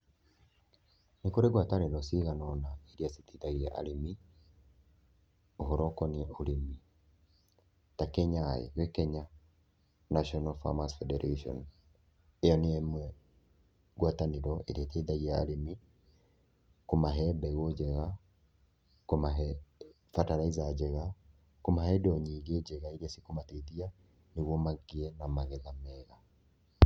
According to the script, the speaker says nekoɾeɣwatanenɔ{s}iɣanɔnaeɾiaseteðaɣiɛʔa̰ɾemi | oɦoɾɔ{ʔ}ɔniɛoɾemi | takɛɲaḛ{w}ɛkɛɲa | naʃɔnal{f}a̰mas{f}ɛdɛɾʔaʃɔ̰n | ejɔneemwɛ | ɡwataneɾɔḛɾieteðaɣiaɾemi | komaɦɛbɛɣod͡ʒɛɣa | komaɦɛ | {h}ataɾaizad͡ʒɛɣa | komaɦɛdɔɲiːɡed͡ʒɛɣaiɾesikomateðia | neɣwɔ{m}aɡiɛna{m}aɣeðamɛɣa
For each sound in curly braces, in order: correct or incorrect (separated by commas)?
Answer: correct, incorrect, correct, correct, correct, incorrect, correct, correct